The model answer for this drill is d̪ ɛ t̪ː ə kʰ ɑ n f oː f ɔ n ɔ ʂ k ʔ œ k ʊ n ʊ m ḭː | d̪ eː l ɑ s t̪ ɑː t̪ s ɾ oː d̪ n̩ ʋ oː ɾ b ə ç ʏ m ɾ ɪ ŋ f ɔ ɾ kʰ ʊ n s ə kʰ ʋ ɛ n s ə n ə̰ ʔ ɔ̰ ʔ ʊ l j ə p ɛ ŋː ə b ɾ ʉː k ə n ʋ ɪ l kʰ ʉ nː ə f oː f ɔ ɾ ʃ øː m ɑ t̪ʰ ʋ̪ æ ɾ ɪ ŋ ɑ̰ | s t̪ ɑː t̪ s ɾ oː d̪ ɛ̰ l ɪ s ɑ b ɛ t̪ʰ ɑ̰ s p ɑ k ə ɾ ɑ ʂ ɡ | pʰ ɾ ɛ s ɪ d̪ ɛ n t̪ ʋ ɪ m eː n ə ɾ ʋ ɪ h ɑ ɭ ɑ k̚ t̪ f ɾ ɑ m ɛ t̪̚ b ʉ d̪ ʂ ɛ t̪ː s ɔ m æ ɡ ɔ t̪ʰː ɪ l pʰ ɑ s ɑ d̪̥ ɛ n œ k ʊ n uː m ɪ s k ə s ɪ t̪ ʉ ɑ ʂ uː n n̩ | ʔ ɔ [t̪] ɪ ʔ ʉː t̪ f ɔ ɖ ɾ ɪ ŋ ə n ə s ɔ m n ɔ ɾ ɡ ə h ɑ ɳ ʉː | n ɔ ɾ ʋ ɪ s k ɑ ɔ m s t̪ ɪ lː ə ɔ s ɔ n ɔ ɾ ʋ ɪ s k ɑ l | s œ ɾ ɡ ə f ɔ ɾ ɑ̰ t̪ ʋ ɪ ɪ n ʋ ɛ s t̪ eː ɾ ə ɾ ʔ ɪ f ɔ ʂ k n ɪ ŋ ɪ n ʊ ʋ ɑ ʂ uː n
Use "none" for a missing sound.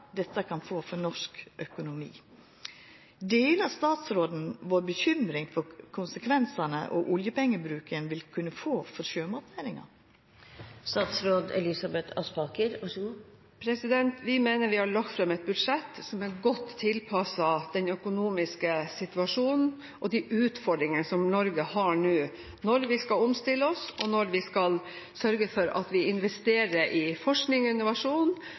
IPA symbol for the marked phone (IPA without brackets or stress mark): d̪